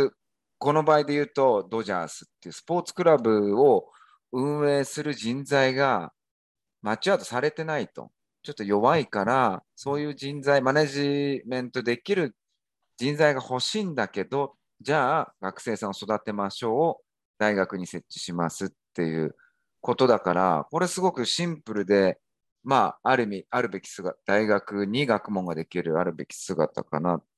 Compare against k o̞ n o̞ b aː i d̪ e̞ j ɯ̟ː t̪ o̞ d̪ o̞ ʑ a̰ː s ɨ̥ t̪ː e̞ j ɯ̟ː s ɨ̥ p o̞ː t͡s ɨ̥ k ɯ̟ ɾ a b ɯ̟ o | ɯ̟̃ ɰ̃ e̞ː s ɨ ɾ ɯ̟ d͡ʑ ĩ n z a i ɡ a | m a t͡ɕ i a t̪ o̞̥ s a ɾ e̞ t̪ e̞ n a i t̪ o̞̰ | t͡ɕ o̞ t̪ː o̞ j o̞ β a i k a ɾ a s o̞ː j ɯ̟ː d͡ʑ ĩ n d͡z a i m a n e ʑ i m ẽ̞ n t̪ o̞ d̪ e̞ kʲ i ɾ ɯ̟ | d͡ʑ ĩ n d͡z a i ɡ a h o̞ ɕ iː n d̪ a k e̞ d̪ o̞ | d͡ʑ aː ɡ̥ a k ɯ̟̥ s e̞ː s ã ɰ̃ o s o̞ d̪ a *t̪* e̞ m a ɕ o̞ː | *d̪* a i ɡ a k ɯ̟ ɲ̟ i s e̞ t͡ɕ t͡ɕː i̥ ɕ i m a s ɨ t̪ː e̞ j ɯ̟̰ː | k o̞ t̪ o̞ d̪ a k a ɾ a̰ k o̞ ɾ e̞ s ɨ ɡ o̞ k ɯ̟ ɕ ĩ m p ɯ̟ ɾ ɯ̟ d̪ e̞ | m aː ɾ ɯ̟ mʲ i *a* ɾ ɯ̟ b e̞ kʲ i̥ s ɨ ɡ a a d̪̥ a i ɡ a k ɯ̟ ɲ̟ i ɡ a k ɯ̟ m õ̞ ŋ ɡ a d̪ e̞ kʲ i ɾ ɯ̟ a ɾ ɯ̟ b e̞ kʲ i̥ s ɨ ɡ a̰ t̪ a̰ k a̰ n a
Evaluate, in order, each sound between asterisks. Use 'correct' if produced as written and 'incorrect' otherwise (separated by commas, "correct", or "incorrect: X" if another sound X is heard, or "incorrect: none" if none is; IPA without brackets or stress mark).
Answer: correct, correct, correct